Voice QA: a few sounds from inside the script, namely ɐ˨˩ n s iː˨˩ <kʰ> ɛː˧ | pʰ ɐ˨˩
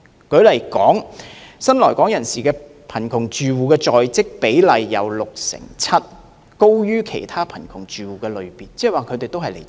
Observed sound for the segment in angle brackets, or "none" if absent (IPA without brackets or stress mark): k